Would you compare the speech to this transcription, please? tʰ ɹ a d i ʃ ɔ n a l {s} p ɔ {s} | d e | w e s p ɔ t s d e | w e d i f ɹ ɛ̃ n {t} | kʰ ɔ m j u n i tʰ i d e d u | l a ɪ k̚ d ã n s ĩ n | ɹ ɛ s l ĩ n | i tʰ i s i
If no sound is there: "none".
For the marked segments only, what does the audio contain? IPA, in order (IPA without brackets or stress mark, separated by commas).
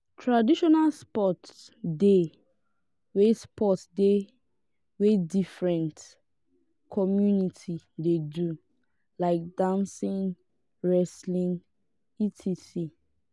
s, t, t